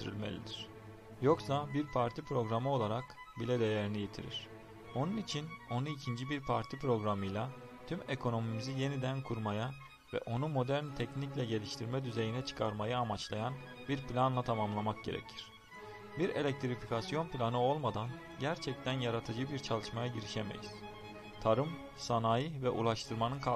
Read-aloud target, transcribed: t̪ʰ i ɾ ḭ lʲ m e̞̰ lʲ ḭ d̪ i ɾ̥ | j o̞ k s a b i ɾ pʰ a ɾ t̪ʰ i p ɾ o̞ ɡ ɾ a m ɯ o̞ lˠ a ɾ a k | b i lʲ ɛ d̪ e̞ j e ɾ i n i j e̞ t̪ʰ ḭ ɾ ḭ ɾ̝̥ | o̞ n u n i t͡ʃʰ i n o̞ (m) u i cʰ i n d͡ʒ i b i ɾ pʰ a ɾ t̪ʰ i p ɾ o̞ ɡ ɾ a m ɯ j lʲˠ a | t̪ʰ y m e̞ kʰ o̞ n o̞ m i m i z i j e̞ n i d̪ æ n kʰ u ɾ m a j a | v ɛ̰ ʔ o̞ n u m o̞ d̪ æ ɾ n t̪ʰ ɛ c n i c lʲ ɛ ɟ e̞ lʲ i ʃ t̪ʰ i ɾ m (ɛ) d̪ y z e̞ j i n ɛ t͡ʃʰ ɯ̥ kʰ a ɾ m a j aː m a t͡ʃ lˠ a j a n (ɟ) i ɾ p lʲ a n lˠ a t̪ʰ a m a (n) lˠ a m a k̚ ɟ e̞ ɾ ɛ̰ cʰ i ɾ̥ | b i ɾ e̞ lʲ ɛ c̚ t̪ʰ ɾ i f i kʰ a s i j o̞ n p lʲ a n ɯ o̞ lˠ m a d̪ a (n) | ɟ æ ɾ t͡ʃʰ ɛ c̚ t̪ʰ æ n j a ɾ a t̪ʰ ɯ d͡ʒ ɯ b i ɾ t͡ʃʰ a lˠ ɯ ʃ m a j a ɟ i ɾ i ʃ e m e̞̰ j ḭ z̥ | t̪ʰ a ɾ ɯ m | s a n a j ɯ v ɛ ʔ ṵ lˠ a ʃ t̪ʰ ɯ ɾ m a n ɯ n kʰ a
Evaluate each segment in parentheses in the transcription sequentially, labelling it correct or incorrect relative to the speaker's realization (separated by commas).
incorrect, correct, incorrect, incorrect, correct